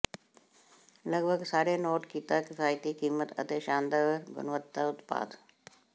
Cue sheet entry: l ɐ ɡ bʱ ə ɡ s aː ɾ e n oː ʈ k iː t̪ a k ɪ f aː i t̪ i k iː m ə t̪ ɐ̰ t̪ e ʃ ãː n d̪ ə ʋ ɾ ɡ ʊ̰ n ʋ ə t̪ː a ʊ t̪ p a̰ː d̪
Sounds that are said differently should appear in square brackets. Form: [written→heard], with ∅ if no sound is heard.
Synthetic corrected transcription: l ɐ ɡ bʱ ə ɡ s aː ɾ e n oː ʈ k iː t̪ a k ɪ f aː [i→j] t̪ i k iː m ə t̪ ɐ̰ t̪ e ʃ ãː n d̪ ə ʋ ɾ ɡ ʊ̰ n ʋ ə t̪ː a ʊ t̪ p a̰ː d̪